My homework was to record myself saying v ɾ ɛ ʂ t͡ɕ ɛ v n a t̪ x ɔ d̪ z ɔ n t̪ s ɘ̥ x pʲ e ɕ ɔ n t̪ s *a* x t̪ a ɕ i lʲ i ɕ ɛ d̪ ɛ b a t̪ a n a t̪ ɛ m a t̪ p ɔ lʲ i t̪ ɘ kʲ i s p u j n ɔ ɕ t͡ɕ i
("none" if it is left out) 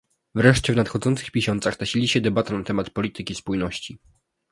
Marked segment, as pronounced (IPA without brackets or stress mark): a